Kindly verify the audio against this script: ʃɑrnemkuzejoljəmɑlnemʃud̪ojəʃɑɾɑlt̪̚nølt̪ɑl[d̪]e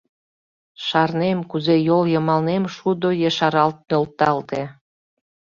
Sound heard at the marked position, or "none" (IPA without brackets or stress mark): t̪